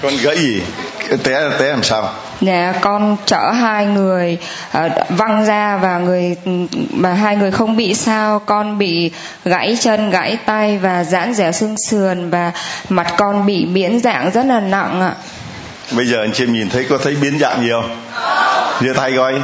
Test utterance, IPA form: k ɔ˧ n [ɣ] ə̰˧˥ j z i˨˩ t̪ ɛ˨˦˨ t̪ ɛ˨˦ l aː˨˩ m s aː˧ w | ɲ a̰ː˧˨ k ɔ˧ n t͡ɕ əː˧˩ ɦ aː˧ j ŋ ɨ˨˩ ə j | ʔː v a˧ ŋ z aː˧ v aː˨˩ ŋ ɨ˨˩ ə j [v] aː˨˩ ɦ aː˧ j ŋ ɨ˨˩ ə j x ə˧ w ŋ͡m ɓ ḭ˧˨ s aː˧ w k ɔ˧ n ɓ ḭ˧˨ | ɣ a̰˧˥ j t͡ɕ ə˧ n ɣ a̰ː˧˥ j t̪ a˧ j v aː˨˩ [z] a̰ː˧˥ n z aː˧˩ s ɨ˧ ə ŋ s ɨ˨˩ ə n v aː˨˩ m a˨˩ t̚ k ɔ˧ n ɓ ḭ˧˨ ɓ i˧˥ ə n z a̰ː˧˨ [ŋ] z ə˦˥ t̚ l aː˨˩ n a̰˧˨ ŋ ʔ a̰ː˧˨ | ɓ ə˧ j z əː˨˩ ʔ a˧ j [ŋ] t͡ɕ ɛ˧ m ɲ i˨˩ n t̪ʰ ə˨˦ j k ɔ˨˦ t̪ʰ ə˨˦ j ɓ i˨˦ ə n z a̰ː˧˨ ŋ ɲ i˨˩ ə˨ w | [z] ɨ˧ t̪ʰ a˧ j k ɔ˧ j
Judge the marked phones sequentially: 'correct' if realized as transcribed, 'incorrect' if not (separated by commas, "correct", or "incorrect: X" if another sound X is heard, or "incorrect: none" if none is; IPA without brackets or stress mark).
correct, correct, correct, correct, correct, correct